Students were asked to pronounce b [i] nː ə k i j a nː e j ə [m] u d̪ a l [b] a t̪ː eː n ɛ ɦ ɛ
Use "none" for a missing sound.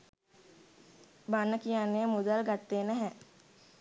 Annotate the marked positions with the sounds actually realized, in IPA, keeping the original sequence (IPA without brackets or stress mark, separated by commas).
a, m, ɡ